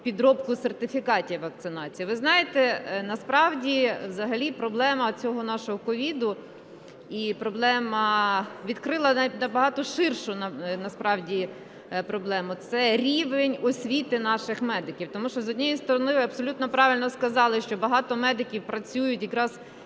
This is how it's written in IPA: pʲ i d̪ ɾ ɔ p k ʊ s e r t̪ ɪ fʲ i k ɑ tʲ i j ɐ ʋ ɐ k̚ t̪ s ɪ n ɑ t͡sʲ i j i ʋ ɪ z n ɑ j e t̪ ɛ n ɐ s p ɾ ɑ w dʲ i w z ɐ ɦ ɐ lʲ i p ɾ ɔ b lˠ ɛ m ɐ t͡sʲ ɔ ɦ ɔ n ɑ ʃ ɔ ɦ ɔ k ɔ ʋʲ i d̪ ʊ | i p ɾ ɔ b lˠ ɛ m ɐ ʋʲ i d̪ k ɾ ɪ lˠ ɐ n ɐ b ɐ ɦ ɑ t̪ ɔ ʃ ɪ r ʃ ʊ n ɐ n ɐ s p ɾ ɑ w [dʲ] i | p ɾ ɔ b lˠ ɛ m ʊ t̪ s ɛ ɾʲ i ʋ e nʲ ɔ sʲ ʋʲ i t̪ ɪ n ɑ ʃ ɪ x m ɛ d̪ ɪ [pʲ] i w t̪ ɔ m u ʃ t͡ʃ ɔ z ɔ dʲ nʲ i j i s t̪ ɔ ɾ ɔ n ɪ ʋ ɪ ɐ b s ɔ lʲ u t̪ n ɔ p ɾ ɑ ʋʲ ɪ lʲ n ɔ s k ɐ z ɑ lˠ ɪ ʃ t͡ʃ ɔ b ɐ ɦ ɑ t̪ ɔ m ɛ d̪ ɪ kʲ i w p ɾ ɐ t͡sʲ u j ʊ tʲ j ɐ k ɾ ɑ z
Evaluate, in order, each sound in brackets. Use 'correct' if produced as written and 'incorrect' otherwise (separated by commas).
correct, incorrect